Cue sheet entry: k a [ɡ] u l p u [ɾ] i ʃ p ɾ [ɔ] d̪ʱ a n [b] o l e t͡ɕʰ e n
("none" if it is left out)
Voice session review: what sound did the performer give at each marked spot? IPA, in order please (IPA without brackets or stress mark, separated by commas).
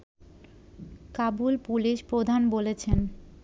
b, l, o, b